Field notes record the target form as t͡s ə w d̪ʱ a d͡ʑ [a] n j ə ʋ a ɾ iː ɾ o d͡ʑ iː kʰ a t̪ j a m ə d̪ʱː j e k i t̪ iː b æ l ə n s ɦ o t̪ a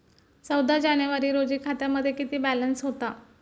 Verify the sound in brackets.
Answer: correct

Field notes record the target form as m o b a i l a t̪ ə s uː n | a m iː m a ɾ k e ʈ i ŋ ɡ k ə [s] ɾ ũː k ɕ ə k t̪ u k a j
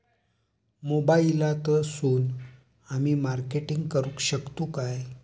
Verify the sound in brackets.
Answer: incorrect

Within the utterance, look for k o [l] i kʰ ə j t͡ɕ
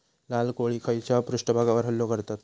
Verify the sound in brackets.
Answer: incorrect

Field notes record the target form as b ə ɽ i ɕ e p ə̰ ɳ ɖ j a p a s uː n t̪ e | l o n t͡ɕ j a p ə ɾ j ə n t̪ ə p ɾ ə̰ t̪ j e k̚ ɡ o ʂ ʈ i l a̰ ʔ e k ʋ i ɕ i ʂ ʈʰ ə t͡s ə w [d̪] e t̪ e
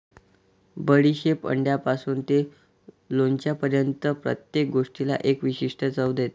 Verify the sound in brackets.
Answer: correct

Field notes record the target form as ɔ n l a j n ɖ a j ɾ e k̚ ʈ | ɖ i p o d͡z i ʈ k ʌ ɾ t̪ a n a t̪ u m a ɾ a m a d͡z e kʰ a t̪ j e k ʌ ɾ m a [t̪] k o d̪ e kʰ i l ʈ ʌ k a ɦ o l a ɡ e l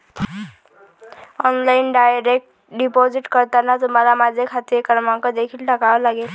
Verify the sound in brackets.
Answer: incorrect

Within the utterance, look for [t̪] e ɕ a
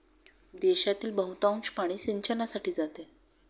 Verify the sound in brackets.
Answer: incorrect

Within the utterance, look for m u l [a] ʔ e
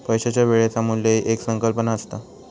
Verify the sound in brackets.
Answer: incorrect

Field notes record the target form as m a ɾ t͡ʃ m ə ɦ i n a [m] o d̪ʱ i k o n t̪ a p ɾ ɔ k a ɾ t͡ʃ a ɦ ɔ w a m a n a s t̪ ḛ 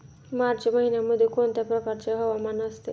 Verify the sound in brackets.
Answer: correct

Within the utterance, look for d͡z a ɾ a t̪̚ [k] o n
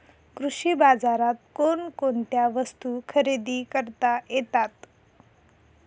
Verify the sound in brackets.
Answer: correct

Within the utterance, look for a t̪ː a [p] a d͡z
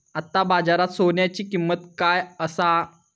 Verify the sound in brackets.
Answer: incorrect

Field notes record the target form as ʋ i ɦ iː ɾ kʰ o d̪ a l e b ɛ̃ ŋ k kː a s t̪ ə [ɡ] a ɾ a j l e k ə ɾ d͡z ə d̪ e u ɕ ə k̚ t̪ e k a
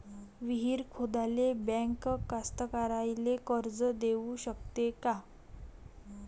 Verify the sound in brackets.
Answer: incorrect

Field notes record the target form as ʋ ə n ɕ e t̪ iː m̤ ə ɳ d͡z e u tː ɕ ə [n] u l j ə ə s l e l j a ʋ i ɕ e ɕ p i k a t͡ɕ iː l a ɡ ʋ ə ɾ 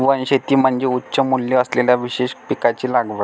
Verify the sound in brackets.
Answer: incorrect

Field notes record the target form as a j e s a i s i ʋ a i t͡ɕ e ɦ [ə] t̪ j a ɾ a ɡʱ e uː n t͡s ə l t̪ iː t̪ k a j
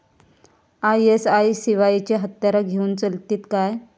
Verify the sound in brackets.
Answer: correct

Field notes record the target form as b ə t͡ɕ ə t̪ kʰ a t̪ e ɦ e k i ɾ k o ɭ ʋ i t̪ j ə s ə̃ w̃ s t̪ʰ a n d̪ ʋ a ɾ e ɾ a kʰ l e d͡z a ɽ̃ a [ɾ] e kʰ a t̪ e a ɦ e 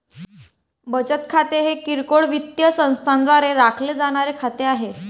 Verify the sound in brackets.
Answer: correct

